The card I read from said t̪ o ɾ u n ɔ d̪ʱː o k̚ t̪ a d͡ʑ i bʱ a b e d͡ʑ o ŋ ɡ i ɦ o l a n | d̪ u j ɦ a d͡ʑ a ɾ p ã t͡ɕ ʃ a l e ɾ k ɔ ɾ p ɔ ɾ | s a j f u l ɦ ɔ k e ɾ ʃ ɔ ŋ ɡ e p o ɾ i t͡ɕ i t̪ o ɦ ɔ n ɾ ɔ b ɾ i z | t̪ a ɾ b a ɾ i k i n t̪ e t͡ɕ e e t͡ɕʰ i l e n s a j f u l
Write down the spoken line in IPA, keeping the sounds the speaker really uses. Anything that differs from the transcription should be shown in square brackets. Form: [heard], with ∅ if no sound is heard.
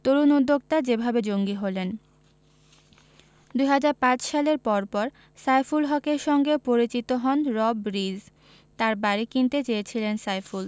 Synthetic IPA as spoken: t̪ o ɾ u n [u] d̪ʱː o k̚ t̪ a d͡ʑ [e] bʱ a b e d͡ʑ o ŋ ɡ i ɦ o l [e] n | d̪ u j ɦ a d͡ʑ a ɾ p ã t͡ɕ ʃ a l e ɾ [p] ɔ ɾ p ɔ ɾ | s a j f u l ɦ ɔ k e ɾ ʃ ɔ ŋ ɡ e p o ɾ i t͡ɕ i t̪ o ɦ ɔ n ɾ ɔ b ɾ i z | t̪ a ɾ b a ɾ i k i n t̪ e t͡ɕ e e t͡ɕʰ i l e n s a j f u l